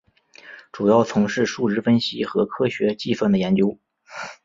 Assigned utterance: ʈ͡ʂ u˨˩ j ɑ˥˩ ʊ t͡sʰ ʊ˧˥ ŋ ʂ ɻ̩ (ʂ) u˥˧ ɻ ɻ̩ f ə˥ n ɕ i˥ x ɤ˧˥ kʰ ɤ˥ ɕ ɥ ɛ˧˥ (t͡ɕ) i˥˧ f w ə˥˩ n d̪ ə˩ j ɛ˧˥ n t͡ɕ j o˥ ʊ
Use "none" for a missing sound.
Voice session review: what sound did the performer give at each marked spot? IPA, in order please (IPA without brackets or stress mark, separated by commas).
ʂ, t͡ɕ